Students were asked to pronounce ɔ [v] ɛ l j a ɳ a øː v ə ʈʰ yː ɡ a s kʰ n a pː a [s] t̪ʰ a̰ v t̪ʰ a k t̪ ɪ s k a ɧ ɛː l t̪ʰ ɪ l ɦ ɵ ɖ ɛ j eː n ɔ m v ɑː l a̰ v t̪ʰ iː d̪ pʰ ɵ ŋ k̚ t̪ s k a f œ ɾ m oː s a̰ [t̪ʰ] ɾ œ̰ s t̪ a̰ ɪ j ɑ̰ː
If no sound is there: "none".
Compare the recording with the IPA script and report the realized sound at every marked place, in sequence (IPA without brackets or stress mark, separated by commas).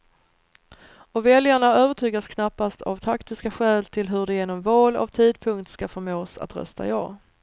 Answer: v, s, t̪